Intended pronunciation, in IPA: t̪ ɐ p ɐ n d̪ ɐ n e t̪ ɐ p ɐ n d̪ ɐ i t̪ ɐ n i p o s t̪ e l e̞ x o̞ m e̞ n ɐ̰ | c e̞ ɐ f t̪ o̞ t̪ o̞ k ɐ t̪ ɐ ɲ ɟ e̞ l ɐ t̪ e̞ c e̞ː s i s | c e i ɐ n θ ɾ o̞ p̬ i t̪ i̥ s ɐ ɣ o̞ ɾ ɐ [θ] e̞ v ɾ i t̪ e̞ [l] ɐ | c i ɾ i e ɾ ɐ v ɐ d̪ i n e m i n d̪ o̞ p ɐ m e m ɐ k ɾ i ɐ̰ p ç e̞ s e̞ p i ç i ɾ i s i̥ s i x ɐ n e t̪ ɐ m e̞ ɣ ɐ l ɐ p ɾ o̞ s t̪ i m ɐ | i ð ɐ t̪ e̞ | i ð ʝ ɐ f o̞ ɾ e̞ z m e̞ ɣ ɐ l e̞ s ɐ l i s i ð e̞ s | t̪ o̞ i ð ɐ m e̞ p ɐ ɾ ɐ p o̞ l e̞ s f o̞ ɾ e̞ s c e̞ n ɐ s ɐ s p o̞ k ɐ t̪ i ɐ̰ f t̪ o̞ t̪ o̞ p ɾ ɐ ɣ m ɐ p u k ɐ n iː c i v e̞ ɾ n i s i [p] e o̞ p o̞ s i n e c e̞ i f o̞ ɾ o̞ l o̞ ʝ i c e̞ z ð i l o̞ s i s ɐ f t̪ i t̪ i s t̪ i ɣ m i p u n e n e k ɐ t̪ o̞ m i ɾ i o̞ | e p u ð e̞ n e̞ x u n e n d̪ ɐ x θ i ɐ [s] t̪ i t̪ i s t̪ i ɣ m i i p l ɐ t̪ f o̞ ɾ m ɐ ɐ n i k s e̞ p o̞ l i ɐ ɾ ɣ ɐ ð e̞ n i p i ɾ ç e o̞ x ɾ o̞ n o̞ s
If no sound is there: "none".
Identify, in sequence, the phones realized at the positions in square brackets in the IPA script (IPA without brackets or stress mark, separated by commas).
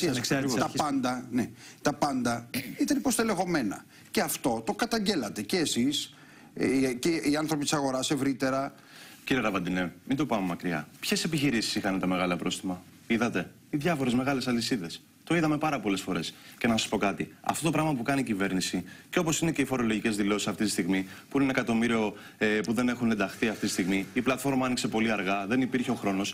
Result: s, ɾ, c, f